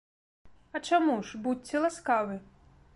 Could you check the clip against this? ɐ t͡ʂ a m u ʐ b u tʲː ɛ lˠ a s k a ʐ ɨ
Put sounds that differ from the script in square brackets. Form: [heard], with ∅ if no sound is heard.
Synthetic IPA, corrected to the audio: ɐ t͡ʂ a m u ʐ b u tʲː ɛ lˠ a s k a [v] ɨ